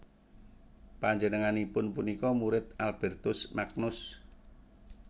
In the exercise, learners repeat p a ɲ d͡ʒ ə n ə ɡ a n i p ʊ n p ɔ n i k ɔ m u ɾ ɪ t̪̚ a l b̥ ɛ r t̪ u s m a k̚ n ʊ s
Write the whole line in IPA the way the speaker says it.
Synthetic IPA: p a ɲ d͡ʒ ə n ə ŋ a n i p ʊ n p u n i k ɔ m u ɾ ɪ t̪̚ a l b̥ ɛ r t̪ ʊ s m a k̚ n ʊ s